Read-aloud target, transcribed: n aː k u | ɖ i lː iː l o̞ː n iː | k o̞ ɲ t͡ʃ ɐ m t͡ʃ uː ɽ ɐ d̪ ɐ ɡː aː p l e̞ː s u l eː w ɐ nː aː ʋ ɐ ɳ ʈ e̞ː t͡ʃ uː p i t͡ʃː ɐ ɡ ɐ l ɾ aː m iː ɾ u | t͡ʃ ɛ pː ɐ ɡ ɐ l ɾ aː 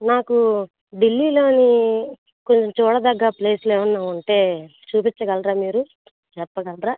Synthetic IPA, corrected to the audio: n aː k u | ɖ i lː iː l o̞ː n i | k o̞ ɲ t͡ʃ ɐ m t͡ʃ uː ɽ ɐ d̪ ɐ ɡː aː p l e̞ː s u l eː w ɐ nː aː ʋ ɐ ɳ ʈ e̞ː t͡ʃ uː p i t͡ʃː ɐ ɡ ɐ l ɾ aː m iː ɾ u | t͡ʃ ɛ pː ɐ ɡ ɐ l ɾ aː